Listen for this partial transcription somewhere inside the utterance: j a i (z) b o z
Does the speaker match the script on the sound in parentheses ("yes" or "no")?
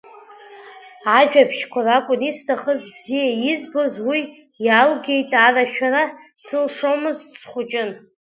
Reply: yes